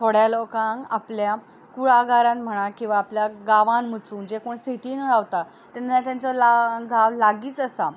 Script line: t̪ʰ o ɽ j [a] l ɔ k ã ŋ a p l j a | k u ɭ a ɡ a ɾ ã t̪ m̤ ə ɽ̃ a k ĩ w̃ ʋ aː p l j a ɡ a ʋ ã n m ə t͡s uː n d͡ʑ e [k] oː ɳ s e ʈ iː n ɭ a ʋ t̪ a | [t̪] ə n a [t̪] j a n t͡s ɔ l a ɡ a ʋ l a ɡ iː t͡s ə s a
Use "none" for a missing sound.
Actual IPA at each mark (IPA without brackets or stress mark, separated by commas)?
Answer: a, k, t̪, t̪